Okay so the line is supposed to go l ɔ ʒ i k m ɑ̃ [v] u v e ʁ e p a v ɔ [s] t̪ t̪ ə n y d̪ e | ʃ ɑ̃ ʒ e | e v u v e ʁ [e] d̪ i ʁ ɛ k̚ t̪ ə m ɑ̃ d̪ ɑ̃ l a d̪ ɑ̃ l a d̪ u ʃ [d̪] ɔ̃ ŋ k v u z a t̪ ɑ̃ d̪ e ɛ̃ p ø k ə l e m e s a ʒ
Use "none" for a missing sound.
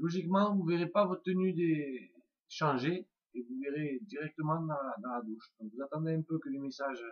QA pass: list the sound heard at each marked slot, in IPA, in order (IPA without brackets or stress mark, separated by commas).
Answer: v, none, e, d̪